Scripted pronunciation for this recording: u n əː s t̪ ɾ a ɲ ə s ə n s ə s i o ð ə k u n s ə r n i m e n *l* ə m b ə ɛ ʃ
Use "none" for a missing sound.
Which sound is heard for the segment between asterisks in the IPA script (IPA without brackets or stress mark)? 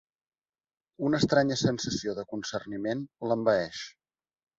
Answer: l